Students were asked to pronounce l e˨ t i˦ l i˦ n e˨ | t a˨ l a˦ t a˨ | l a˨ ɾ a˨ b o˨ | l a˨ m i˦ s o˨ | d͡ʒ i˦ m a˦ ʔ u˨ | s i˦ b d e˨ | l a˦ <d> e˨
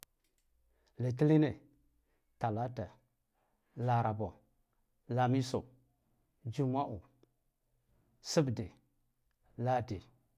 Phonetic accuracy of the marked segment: correct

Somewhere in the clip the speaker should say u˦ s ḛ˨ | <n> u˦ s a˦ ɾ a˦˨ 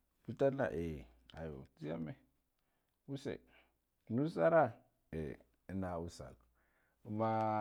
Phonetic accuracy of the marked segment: correct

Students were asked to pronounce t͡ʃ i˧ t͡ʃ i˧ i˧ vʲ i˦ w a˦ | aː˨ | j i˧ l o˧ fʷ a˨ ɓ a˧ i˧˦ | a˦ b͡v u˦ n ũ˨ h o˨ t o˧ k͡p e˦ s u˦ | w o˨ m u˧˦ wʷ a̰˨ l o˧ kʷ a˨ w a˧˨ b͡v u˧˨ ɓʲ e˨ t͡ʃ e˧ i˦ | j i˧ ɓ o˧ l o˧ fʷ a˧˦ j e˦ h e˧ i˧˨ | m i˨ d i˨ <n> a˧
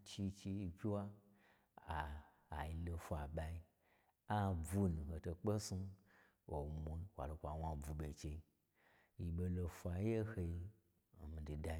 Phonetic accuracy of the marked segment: incorrect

